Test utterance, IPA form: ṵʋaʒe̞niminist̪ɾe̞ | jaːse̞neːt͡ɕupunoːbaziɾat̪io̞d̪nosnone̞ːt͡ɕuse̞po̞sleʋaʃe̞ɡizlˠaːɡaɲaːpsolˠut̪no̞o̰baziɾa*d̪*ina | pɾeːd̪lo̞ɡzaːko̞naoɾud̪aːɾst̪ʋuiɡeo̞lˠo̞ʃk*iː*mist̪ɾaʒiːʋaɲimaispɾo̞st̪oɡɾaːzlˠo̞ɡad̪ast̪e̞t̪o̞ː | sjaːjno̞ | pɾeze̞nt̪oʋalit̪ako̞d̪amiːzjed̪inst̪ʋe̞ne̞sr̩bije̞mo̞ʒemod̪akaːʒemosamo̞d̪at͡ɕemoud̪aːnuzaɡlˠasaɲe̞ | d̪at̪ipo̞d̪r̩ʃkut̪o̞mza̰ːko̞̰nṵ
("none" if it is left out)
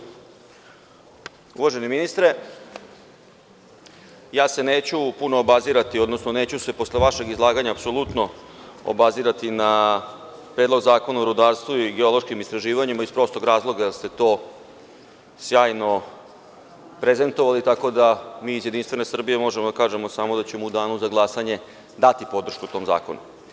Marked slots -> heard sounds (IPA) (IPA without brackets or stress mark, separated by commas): t̪, i